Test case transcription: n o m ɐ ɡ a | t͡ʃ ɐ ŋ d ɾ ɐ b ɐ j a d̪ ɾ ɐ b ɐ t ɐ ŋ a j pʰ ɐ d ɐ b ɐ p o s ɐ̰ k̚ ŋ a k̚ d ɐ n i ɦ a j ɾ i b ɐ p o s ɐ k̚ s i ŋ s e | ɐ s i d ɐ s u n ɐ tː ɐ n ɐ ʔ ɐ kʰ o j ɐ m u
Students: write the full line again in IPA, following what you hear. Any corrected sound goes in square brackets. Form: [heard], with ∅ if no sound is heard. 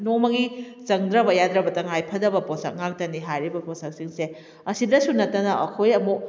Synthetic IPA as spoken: n o m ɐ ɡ [i] | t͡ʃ ɐ ŋ d ɾ ɐ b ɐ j a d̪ ɾ ɐ b ɐ t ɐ ŋ a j pʰ ɐ d ɐ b ɐ p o s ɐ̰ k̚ ŋ a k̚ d ɐ n i ɦ a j ɾ i b ɐ p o s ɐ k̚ s i ŋ s e | ɐ s i d ɐ s u n ɐ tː ɐ n ɐ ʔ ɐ kʰ o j ɐ m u